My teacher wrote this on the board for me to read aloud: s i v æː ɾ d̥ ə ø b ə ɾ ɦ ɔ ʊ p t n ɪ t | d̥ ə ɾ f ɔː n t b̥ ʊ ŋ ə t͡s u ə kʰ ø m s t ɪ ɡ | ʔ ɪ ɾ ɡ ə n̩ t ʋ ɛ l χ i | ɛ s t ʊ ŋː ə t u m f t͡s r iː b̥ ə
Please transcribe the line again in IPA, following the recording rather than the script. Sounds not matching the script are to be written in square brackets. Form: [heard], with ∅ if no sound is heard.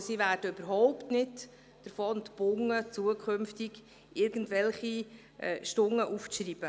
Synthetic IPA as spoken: s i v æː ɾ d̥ ə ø b ə ɾ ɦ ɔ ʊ p t n ɪ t | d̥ ə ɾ f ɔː n t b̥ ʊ ŋ ə t͡s u ə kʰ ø m [f] t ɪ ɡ | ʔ ɪ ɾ ɡ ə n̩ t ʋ ɛ l χ i | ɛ [ʃ] t ʊ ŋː ə [ʔ] u [∅] f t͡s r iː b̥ ə